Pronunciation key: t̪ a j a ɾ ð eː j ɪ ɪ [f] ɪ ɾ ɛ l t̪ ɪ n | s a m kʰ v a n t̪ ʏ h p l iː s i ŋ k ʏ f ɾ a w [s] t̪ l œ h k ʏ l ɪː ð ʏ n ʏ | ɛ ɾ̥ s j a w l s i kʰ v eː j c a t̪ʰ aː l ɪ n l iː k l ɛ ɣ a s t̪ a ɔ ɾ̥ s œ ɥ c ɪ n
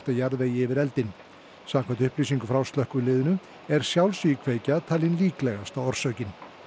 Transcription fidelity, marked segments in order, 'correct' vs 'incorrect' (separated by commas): incorrect, correct